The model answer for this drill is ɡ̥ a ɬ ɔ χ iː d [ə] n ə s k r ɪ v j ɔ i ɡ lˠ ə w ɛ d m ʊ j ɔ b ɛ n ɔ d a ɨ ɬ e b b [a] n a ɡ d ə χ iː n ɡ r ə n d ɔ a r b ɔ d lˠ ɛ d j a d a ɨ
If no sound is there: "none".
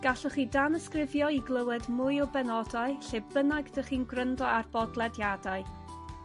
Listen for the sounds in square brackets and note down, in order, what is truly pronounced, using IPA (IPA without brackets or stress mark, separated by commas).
a, ə